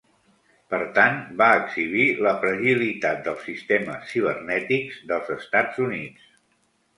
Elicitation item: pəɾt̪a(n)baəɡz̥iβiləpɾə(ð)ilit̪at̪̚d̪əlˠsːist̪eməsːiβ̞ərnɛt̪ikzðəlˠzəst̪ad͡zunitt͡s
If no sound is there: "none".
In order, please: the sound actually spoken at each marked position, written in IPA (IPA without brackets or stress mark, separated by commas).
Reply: n, ʒ